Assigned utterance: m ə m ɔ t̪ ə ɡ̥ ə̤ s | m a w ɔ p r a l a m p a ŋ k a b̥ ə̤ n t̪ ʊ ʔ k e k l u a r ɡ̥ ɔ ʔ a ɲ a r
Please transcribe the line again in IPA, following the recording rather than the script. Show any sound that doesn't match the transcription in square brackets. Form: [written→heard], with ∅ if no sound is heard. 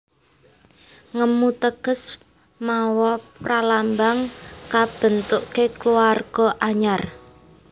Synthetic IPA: [m→ŋ] ə m [ɔ→u] t̪ ə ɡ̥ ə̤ s | m a w ɔ p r a l a m [p→b] a ŋ k a b̥ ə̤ n t̪ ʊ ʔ k e k l u a r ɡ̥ ɔ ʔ a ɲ a r